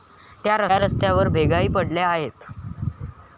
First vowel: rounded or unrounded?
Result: unrounded